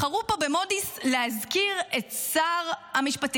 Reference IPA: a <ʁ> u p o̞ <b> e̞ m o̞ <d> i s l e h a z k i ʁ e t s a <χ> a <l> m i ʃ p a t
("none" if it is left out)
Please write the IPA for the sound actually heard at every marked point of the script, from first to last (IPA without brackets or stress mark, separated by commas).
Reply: ʁ, b, d, ʁ, none